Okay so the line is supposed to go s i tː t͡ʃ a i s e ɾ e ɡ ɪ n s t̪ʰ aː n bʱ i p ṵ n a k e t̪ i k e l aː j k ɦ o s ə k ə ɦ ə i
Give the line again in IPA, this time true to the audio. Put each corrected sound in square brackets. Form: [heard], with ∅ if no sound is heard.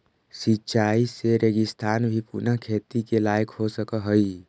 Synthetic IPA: s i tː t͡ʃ a i s e ɾ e ɡ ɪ [∅] s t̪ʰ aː n bʱ i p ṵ n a [kʰ] e t̪ i k e l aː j k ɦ o s ə k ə ɦ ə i